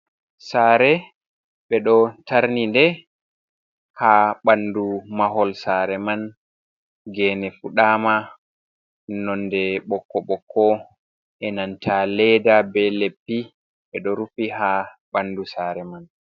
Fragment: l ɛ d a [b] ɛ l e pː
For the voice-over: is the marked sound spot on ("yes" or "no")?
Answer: yes